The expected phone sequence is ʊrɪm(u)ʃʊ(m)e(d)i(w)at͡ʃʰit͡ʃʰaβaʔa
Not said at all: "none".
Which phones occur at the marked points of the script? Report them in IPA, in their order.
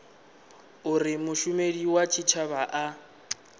ʊ, m, d, w

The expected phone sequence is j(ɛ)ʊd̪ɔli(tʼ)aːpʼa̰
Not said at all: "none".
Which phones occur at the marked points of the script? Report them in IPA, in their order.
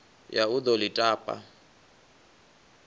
a, tʼ

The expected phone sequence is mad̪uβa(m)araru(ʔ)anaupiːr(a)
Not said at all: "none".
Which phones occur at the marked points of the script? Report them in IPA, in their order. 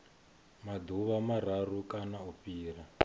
m, k, a

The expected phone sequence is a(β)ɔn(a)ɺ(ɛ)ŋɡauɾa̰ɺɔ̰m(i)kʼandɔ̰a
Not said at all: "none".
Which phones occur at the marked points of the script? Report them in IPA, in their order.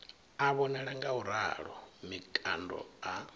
β, ɛ, a, i

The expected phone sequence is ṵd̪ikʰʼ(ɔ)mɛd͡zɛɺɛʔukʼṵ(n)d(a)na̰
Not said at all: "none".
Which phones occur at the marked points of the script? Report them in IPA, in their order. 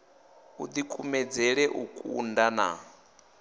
u, n, a

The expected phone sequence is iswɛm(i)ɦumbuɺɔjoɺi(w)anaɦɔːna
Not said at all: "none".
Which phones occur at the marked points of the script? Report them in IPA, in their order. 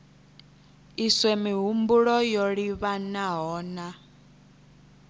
i, β

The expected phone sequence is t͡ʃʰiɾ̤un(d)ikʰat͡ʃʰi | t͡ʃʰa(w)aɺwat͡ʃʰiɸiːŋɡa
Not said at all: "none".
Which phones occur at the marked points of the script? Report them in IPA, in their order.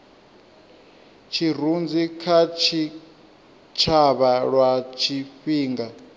d͡z, β

